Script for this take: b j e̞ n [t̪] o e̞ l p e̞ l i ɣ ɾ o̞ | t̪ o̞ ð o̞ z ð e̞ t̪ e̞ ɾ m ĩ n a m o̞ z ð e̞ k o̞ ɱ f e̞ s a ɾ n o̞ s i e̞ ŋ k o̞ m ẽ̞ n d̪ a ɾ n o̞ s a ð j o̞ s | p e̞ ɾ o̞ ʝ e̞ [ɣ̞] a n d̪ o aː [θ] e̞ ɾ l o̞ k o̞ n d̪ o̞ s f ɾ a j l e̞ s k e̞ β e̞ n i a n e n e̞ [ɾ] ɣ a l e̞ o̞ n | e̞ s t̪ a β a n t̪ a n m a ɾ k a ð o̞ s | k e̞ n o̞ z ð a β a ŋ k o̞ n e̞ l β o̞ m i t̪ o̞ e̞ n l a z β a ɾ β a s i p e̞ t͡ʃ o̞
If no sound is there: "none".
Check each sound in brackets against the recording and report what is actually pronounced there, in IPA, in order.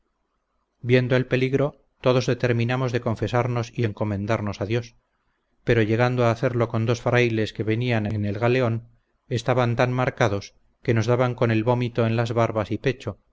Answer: d̪, ɣ̞, θ, l

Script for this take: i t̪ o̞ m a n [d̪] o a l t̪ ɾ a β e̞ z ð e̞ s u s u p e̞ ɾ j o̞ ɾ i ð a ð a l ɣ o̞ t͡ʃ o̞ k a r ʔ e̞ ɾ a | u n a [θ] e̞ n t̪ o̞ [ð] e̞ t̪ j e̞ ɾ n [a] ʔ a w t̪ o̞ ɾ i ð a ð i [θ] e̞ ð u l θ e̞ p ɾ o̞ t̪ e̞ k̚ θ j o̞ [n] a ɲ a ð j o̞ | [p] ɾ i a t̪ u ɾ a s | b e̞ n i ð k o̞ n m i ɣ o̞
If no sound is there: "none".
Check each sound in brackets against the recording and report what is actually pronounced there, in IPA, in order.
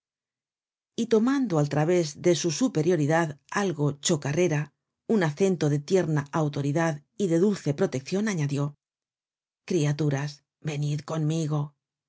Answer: d̪, θ, ð, a, ð, n, k

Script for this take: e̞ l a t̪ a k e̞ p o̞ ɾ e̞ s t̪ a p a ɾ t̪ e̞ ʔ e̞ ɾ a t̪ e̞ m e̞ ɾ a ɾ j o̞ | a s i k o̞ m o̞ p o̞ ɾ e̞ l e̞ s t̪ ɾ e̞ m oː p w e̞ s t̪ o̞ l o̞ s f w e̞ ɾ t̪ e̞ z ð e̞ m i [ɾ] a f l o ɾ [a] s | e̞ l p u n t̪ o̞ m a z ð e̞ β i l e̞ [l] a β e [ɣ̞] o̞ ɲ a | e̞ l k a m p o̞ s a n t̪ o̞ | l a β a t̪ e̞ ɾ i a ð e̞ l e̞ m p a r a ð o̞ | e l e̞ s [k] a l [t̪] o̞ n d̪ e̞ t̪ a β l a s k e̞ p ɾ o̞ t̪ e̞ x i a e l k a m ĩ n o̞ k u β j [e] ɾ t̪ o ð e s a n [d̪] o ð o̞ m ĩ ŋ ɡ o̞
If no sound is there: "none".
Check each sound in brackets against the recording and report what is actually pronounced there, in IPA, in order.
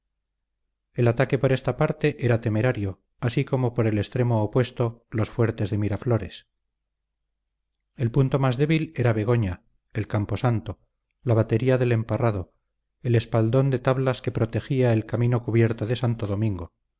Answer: ɾ, e, ɾ, ɣ̞, p, d̪, e, t̪

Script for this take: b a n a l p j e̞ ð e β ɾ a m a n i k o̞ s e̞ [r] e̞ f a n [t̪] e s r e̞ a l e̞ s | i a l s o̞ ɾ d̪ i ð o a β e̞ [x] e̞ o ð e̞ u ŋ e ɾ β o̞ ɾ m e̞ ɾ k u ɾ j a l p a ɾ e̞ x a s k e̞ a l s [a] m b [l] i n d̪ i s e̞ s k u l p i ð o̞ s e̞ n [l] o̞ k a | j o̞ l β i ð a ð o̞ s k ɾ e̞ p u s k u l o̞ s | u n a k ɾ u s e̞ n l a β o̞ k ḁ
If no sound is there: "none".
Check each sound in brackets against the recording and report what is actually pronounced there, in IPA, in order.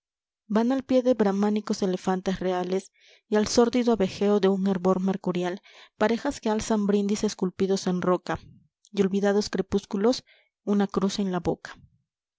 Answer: l, t̪, x, a, ɾ, r

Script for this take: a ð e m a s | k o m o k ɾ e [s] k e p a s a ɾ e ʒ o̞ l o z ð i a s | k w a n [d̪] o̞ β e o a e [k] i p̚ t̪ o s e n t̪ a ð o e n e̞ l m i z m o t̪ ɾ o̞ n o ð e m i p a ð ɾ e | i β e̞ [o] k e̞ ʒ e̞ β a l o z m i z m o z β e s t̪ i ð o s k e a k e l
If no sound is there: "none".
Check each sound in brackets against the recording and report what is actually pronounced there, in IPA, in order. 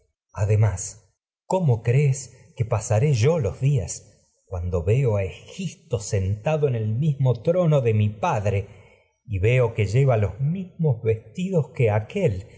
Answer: s, d̪, x, o

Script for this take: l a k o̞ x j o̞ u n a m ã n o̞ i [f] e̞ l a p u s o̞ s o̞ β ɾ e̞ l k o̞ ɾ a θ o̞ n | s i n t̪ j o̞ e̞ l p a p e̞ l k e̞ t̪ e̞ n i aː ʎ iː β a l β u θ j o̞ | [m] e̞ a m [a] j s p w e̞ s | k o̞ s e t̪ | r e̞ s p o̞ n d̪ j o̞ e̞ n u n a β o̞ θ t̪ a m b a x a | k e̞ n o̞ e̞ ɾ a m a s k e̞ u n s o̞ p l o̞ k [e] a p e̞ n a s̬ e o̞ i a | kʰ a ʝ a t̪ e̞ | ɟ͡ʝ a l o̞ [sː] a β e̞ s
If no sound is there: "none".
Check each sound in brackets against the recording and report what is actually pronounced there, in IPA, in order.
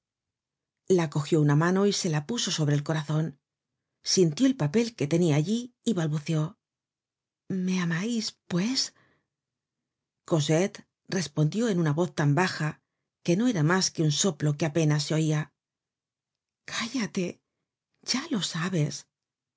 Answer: s, m, a, e, s

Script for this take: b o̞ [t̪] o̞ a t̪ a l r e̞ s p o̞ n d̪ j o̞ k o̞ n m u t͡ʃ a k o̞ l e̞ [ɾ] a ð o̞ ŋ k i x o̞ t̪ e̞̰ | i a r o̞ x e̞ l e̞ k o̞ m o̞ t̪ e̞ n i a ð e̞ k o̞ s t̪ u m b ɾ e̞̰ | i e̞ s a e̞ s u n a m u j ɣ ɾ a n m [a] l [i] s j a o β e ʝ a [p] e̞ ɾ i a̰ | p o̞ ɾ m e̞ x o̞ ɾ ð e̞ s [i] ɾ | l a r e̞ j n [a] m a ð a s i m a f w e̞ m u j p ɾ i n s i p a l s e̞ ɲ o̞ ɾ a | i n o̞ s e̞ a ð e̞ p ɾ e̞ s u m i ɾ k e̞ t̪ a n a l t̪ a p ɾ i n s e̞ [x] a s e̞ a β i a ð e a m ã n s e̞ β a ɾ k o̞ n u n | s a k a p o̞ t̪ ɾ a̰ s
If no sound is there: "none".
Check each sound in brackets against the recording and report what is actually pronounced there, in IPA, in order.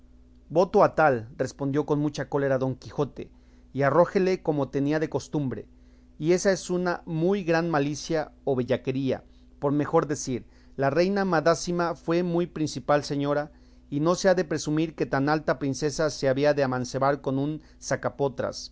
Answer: t̪, ɾ, a, i, k, i, a, s

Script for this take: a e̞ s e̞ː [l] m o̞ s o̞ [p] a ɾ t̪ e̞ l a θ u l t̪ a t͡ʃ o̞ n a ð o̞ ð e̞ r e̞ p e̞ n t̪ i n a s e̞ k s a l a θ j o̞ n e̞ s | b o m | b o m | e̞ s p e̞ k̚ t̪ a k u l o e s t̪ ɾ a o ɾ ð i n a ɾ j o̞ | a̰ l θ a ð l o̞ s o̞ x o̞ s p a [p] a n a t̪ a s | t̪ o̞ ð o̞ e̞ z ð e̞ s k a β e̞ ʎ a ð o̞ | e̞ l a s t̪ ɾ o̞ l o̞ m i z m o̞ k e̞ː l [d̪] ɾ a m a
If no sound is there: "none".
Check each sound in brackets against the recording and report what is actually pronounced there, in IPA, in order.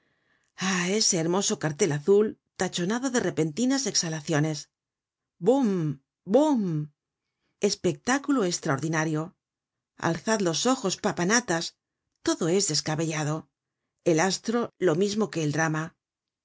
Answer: ɾ, k, p, d̪

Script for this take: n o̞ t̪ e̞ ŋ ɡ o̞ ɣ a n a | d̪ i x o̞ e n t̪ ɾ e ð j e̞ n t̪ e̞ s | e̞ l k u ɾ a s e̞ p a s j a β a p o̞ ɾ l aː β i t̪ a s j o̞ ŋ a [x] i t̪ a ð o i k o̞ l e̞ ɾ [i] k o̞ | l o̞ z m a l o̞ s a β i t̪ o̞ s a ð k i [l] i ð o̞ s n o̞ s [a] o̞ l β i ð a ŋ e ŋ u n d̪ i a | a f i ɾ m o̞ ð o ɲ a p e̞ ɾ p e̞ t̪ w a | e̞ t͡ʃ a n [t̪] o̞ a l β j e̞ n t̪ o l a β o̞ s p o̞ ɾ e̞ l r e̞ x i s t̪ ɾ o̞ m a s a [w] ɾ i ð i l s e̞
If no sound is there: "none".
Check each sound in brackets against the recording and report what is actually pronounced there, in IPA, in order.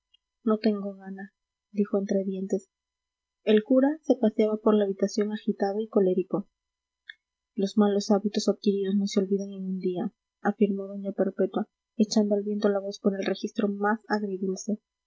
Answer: x, i, ɾ, e, d̪, ɣ

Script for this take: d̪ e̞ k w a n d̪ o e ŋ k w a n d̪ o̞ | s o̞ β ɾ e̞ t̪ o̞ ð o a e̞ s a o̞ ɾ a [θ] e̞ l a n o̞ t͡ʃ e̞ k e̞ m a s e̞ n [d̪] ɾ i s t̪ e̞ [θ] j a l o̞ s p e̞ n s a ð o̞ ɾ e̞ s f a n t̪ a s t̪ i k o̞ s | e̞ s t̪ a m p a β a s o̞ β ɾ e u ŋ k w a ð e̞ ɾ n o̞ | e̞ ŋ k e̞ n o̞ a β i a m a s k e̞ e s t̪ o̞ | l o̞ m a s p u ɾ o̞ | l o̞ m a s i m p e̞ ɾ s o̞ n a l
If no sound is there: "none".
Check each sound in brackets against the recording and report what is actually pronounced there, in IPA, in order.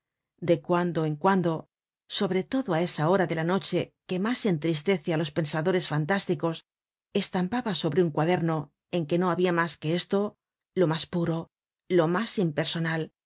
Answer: ð, t̪, θ

